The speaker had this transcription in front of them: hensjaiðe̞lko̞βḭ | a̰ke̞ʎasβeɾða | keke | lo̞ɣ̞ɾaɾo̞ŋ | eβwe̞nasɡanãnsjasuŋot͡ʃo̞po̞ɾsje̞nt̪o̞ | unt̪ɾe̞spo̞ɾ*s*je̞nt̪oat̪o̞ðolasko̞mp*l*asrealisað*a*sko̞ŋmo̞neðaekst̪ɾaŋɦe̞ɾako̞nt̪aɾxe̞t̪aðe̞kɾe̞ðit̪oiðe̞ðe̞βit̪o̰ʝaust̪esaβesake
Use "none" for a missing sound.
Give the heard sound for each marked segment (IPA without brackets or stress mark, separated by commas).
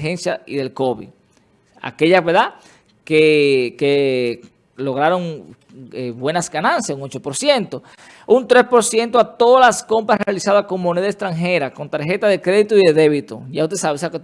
s, ɾ, a